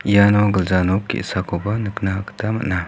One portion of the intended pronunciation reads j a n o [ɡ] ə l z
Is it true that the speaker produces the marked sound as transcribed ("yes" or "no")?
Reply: yes